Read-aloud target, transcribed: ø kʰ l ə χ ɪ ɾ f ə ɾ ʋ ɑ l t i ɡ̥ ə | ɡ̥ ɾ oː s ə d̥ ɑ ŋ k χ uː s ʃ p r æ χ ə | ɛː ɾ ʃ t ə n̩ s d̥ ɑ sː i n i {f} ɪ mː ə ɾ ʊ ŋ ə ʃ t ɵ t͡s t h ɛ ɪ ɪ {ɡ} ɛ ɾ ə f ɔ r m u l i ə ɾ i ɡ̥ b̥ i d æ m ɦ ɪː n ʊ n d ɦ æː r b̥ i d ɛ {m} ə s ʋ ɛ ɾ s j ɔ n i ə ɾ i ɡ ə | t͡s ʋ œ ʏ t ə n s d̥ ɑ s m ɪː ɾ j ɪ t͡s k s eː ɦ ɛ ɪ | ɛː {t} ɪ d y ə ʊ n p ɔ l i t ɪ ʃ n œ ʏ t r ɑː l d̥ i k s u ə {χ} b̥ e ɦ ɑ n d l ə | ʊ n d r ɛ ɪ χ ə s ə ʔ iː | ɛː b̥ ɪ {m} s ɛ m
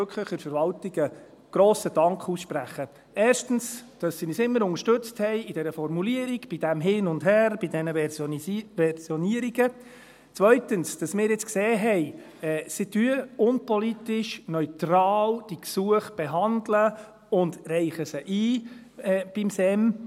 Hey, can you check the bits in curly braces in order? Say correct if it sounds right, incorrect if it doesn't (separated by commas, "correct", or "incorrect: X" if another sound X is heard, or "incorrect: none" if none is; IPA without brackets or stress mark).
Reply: incorrect: s, incorrect: d, incorrect: n, incorrect: s, correct, correct